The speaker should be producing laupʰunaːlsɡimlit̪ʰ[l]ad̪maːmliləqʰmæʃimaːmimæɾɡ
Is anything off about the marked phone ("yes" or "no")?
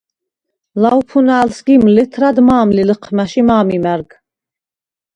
yes